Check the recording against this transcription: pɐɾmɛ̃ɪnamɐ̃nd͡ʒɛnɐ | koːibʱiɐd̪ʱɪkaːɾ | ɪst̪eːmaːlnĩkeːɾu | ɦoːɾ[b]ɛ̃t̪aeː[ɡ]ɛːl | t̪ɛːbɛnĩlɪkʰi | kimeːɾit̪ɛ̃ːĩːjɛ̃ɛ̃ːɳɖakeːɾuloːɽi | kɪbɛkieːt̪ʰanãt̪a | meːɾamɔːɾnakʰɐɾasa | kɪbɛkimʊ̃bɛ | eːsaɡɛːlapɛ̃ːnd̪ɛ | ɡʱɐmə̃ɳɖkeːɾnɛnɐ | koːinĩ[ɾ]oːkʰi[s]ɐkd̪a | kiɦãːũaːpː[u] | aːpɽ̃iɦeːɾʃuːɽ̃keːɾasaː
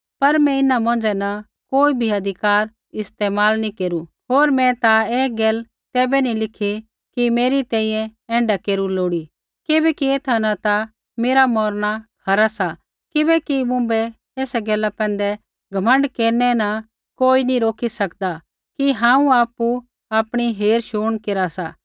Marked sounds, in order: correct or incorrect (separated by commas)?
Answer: incorrect, correct, correct, correct, correct